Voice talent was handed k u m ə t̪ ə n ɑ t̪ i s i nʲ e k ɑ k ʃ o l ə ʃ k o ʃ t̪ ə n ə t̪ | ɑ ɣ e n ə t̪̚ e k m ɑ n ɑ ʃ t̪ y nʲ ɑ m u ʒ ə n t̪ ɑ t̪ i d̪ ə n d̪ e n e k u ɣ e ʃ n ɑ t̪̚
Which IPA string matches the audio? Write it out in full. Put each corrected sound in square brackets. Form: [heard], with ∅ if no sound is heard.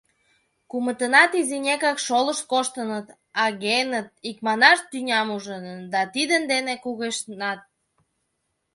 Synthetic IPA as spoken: k u m ə t̪ ə n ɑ t̪ i [z] i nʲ e k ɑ k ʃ o l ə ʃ k o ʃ t̪ ə n ə t̪ | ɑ ɣ e n ə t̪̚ [i] k m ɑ n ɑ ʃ t̪ y nʲ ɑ m u ʒ ə n [d̪] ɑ t̪ i d̪ ə n d̪ e n e k u ɣ e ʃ n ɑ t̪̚